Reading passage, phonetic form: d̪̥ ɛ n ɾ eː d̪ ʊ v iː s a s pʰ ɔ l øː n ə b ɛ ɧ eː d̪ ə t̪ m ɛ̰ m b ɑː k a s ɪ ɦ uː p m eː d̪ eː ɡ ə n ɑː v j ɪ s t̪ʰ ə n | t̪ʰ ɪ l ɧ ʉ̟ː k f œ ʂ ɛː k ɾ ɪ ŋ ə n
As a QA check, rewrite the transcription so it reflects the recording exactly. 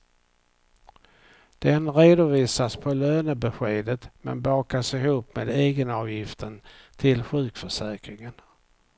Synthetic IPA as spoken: d̪̥ ɛ n ɾ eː d̪ ʊ v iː s a s pʰ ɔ l øː n ə b ɛ ɧ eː d̪ ə t̪ m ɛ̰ n b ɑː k a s ɪ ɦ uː p m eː d̪ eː ɡ ə n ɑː v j ɪ f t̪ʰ ə n | t̪ʰ ɪ l ɧ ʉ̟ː k f œ ʂ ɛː k ɾ ɪ ŋ ə n

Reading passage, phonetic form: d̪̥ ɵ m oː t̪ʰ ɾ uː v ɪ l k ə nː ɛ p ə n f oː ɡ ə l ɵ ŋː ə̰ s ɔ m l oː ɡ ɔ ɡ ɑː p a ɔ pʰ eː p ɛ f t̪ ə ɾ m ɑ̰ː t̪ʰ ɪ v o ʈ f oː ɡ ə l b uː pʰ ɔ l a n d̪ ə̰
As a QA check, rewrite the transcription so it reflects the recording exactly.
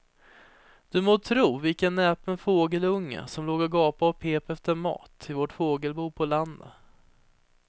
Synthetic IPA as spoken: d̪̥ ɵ m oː t̪ʰ ɾ uː v ɪ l k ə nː ɛ p ə n f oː ɡ ə l ɵ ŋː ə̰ s ɔ m l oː ɡ ɔ ɡ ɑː p a ɔ pʰ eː p ɛ f t̪ ə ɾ m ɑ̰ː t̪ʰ ɪ v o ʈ f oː ɡ ə l b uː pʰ ɔ l a n d̪ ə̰

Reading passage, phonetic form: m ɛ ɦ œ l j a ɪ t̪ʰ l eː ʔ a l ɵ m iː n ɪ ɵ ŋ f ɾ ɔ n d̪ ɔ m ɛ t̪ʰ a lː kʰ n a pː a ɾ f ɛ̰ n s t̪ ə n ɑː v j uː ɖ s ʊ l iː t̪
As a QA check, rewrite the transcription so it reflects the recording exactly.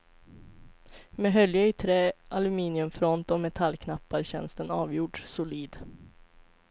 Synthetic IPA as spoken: m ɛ ɦ œ l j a ɪ t̪ʰ ɾ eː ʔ a l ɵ m iː n ɪ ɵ m f ɾ ɔ n t̪ ɔ m ɛ t̪ʰ a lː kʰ n a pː a ɾ ɕ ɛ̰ n s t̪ ə n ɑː v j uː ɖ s ʊ l iː d̪

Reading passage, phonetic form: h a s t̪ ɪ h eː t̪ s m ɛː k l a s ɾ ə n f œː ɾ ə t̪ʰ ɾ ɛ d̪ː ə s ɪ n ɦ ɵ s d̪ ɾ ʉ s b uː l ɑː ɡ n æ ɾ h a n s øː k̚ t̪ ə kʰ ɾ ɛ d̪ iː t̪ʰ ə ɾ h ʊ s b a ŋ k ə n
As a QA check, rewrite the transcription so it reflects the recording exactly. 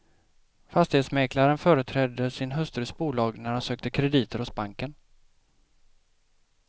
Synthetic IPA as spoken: f a s t̪ ɪ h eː t̪ s m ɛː k l a ɾ ə n f œː ɾ ə t̪ʰ ɾ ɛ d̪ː ə s ɪ n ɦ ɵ s t̪ ɾ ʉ s b uː l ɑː ɡ n æ ɾ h a n s øː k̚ t̪ ə kʰ ɾ ɛ d̪ iː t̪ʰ ə ɾ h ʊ s b a ŋ k ə n

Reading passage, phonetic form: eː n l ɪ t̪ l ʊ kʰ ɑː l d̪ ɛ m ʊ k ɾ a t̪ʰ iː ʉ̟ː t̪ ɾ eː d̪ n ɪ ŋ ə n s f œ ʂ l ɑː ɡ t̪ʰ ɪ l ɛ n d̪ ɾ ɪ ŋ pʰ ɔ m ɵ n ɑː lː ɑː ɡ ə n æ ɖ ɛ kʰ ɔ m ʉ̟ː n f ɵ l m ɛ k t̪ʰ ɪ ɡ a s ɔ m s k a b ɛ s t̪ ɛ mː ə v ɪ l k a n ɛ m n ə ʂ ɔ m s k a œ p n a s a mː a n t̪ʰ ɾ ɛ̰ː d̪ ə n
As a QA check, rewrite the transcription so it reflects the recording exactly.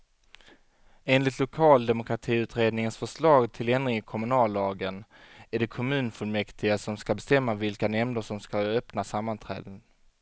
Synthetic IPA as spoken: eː n l ɪ t̪ l ʊ kʰ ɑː l d̪ ɛ m ʊ k ɾ a t̪ʰ iː ʉ̟ː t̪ ɾ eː d̪ n ɪ ŋ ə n s f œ ʂ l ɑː ɡ t̪ʰ ɪ l ɛ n d̪ ɾ ɪ ŋ kʰ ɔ m ɵ n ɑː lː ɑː ɡ ə n æ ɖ ɛ kʰ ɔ m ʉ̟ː n f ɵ l m ɛ k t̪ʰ ɪ ɡ a s ɔ m s k a b ɛ s t̪ ɛ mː a v ɪ l k a n ɛ m n ə ʂ ɔ m s k a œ p n a s a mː a n t̪ʰ ɾ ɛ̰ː d̪ ə n

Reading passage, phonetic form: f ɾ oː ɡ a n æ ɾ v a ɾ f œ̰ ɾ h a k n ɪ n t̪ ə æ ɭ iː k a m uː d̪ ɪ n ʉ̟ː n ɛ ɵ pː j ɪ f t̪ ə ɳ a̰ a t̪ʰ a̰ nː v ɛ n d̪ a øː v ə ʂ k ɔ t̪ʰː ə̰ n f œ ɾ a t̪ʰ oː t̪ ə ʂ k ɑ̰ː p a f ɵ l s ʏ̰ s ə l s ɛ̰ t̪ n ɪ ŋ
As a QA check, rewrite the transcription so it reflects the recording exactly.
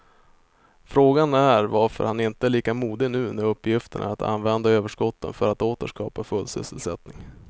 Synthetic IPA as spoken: f ɾ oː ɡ a n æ ɾ v a ɾ f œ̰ ɾ h a n ɪ n t̪ ə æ ɭ iː k a m uː d̪ ɪ n ʉ̟ː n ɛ ɵ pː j ɪ f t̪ ə ɳ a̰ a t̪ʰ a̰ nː v ɛ n d̪ a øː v ə ʂ k ɔ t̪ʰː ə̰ n f œ ɾ a t̪ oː t̪ ə ʂ k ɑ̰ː p a f ɵ l s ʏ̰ s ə l s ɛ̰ t̪ n ɪ ŋ

